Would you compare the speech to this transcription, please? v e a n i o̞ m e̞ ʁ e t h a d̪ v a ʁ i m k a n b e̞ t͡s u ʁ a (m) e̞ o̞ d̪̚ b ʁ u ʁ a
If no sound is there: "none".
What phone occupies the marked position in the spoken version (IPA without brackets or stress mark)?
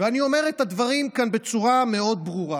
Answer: m